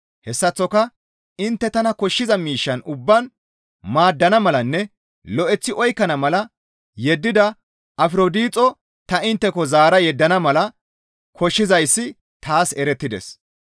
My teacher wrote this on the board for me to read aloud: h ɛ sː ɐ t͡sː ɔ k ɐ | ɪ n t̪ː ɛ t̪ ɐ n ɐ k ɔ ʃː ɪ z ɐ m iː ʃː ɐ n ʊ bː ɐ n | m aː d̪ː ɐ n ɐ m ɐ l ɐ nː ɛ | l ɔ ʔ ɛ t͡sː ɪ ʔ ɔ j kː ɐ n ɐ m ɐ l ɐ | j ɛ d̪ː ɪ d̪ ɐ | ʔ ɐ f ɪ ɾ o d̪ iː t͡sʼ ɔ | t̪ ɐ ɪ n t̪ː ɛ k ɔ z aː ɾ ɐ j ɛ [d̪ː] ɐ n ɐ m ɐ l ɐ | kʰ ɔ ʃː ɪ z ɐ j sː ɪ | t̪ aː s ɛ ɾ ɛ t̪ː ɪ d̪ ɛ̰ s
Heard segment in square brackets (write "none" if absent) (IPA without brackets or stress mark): d̪ː